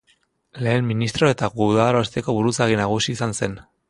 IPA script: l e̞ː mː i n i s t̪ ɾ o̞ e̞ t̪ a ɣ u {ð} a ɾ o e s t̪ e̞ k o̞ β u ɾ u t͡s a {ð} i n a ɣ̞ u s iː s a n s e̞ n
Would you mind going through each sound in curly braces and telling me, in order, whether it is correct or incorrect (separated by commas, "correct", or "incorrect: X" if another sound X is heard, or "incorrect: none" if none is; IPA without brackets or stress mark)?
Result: correct, incorrect: ɣ